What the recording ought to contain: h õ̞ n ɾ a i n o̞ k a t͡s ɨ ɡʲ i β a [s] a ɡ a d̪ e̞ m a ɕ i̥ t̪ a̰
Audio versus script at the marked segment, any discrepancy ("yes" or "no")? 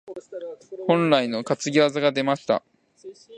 yes